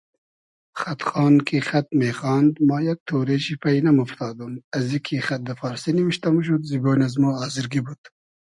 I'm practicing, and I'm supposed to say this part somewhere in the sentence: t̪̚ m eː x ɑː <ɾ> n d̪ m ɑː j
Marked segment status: incorrect: none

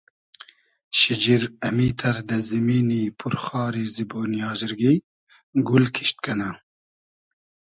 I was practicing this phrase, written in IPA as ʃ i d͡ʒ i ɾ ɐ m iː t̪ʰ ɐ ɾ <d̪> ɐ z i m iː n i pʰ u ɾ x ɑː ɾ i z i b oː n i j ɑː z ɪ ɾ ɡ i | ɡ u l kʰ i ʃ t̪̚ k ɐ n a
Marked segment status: correct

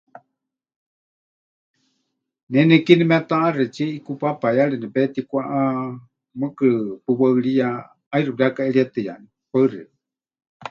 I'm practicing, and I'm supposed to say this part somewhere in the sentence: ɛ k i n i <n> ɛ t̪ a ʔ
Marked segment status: incorrect: m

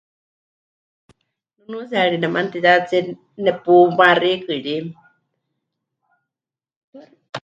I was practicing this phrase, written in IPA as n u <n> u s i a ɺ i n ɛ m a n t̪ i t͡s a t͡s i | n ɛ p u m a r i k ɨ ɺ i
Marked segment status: correct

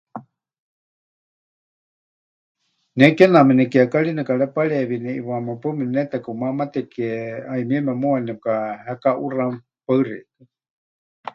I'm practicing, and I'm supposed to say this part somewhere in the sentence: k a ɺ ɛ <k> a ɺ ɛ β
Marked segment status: incorrect: p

